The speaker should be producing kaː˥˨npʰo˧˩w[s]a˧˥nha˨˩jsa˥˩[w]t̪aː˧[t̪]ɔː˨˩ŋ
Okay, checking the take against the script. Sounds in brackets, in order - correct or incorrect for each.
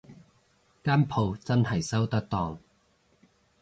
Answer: incorrect: t͡s, correct, correct

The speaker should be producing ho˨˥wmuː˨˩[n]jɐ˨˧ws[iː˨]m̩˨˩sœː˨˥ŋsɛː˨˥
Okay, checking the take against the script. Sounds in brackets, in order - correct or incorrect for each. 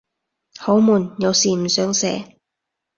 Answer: correct, correct

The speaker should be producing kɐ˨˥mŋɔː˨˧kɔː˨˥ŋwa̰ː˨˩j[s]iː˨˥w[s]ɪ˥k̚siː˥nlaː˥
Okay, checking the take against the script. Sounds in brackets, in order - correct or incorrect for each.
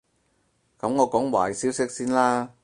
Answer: correct, correct

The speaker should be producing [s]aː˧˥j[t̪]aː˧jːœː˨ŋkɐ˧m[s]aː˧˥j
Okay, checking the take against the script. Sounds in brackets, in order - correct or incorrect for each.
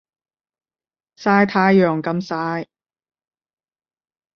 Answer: correct, incorrect: t̪ʰ, correct

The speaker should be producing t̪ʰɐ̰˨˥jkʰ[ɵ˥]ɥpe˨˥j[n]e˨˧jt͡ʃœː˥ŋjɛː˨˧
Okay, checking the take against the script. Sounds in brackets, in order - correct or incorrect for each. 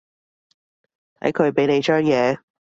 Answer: incorrect: ɵ˨˧, correct

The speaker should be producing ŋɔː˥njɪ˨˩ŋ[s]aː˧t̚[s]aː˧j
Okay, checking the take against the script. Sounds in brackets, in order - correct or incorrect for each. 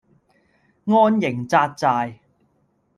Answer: incorrect: t͡s, incorrect: t͡s

